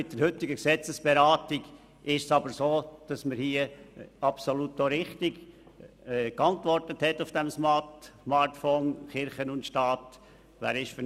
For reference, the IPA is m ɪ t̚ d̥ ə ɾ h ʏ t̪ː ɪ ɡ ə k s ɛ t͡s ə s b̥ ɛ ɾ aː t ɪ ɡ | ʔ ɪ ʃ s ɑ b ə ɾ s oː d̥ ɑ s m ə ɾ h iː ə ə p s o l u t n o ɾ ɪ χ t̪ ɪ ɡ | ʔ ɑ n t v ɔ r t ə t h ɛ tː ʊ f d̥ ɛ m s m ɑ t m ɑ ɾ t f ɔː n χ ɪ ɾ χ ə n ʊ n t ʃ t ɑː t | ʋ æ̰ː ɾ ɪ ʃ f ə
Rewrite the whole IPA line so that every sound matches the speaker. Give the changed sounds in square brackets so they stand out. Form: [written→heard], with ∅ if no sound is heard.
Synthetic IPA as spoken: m ɪ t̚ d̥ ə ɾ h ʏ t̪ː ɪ ɡ ə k s ɛ t͡s ə s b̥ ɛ ɾ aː t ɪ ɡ | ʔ ɪ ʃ s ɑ b ə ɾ s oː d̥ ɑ s m ə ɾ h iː ə [ə→ɑ] p s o l u t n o ɾ ɪ χ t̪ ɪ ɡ | [ʔ→k] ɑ n t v ɔ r t ə t h ɛ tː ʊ f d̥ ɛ m s m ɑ t m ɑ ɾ t f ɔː n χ ɪ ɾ χ ə n ʊ n t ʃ t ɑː t | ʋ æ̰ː ɾ ɪ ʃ f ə